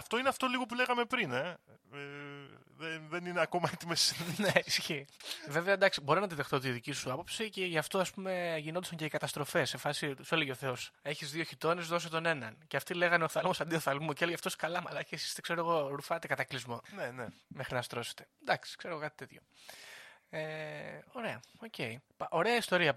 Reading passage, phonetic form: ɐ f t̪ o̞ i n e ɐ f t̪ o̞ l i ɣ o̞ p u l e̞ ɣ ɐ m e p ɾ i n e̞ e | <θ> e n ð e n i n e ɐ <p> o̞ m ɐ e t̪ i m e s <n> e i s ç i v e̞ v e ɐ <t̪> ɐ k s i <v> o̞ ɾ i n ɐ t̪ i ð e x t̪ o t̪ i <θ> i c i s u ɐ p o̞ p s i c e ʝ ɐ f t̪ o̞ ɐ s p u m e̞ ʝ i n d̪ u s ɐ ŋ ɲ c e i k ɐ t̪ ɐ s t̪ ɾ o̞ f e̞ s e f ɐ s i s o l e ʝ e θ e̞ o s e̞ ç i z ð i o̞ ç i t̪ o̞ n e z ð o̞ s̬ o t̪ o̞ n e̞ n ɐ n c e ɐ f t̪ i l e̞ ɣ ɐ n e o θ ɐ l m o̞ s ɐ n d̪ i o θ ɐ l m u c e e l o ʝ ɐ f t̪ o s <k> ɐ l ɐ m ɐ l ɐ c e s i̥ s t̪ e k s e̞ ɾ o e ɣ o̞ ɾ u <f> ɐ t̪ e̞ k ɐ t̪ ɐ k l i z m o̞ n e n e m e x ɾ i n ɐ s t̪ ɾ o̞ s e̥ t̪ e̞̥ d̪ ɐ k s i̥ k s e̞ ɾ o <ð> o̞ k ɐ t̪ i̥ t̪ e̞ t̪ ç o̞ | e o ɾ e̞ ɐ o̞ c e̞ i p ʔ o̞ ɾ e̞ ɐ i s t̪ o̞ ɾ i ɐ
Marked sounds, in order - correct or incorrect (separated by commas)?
incorrect, incorrect, correct, incorrect, incorrect, incorrect, correct, correct, incorrect